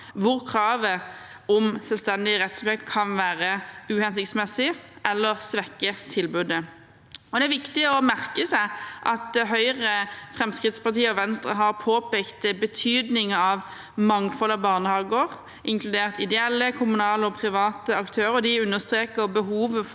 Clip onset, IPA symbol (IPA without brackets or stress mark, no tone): ʋ